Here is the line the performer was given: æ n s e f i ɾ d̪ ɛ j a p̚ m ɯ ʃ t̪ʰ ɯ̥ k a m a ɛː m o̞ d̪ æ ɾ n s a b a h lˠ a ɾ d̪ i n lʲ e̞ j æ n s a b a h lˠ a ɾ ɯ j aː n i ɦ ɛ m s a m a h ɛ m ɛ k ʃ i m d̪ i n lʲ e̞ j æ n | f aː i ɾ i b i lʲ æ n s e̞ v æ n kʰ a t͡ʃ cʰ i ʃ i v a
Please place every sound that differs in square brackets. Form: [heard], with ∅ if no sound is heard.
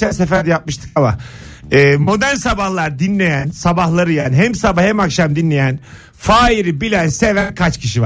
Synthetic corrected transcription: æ n s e f [æ] ɾ d̪ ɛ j a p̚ m ɯ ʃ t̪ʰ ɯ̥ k a m a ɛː m o̞ d̪ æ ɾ n s a b a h lˠ a ɾ d̪ i n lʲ e̞ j æ n s a b a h lˠ a ɾ ɯ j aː n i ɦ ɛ m s a [b] a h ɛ m [a] k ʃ [a] m d̪ i n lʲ e̞ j æ n | f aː i ɾ i b i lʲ æ n s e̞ v æ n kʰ a t͡ʃ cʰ i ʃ i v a